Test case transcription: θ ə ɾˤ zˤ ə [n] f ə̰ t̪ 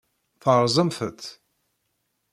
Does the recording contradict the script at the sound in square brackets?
yes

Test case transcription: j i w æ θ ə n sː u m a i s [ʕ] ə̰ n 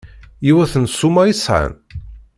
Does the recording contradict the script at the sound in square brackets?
no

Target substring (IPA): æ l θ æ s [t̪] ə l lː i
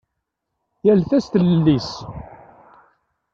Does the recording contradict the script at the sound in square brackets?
no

